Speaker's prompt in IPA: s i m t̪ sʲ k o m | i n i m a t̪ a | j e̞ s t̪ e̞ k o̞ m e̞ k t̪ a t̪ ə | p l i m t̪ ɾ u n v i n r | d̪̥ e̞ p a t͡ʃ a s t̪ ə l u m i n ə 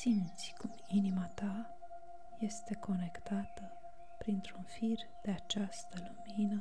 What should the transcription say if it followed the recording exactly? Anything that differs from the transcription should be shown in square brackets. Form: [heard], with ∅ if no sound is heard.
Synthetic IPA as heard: s i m t̪ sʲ k [u] m | i n i m a t̪ a | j e̞ s t̪ e̞ k o̞ [n] e̞ k t̪ a t̪ ə | p [ɾ] i [n] t̪ ɾ u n [f] i [∅] r | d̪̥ e̞ [∅] a t͡ʃ a s t̪ ə l u m i n ə